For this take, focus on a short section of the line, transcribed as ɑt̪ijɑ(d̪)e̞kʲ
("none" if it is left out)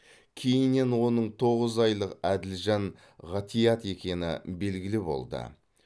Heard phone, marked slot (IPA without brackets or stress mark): t̪